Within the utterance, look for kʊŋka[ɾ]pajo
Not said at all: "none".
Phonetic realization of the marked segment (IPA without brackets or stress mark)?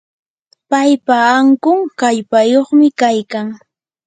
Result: ʎ